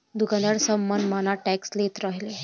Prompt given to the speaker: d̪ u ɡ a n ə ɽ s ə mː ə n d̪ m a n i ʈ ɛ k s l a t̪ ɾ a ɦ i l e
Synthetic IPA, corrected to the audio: d̪ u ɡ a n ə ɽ s ə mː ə n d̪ m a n a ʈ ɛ k s l e t̪ ɾ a ɦ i l e